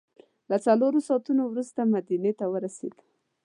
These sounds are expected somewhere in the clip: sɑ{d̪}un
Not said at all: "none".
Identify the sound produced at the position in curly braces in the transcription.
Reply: t̪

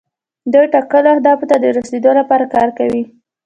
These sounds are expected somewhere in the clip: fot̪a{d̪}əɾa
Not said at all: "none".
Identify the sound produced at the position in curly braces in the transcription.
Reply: d̪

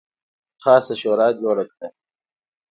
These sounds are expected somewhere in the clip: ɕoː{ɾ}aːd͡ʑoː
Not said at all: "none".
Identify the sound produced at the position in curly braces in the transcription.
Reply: ɾ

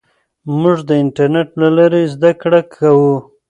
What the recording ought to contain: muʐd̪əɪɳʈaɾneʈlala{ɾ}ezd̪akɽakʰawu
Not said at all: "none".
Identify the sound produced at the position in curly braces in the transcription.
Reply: ɾ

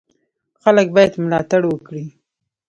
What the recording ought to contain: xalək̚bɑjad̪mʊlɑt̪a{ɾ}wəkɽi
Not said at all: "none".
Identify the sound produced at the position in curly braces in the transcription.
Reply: ɽ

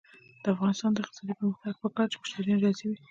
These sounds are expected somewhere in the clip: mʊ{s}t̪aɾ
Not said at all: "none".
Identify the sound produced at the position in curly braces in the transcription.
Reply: ʃ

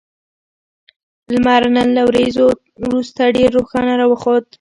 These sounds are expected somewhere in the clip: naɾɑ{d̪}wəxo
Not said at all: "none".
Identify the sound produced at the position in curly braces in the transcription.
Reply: none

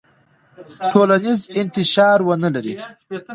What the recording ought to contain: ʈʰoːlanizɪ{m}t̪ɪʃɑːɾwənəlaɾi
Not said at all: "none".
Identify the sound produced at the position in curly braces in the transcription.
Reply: n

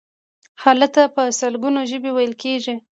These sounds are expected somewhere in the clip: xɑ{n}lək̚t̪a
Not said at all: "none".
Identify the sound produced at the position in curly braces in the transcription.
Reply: none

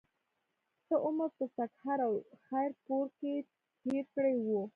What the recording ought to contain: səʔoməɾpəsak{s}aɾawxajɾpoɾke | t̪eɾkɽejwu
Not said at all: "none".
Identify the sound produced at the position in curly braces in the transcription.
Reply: h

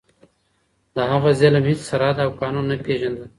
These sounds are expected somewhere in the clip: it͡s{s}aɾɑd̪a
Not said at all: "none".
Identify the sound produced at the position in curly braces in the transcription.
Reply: s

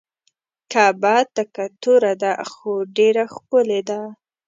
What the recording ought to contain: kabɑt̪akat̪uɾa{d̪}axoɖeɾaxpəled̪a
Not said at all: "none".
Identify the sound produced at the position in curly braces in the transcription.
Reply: d̪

